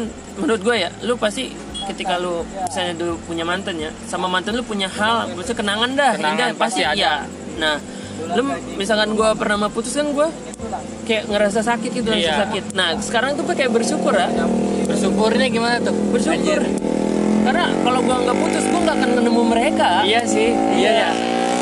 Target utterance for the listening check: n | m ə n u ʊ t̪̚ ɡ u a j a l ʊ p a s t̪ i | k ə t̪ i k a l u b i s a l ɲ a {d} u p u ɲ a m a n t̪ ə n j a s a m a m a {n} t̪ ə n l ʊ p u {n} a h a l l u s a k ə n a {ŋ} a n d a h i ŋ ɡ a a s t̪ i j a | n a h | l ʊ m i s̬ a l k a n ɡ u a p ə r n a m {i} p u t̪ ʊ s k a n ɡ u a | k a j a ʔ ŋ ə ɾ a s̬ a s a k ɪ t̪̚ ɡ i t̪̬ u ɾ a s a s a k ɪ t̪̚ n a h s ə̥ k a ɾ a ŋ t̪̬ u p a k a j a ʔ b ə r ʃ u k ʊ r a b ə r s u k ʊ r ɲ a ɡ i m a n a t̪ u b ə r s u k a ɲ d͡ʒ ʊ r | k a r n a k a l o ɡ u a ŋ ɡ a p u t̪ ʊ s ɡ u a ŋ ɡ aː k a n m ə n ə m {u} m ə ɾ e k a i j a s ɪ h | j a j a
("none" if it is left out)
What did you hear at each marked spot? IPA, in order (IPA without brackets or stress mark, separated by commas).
d, n, ɲ, ŋ, a, u